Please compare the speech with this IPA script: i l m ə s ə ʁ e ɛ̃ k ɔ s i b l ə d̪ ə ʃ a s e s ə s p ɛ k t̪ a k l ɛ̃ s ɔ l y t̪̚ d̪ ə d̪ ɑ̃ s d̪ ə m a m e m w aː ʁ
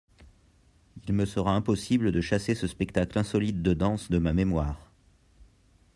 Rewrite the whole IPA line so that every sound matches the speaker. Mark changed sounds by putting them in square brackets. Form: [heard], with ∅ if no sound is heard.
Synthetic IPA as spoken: i l m ə s ə ʁ [a] ɛ̃ [p] ɔ s i b l ə d̪ ə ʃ a s e s ə s p ɛ k t̪ a k l ɛ̃ s ɔ l [i] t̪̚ d̪ ə d̪ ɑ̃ s d̪ ə m a m e m w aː ʁ